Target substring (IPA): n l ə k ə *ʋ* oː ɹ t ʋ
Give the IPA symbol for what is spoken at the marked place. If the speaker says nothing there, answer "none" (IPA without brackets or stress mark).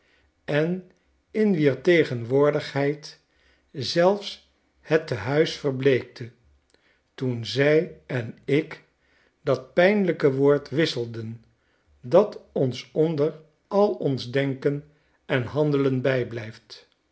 ʋ